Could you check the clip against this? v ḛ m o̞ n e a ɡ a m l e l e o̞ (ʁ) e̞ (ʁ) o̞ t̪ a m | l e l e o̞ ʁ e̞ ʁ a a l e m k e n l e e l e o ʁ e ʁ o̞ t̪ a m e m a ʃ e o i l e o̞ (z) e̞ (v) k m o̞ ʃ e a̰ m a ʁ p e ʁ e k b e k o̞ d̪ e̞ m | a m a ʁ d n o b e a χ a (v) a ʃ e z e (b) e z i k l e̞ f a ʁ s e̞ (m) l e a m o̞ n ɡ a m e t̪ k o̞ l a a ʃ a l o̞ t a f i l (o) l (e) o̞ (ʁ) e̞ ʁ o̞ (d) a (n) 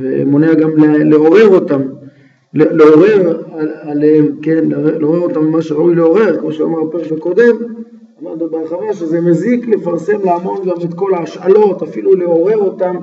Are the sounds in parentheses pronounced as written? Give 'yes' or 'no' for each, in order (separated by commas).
yes, yes, no, no, yes, no, yes, no, yes, yes, no, no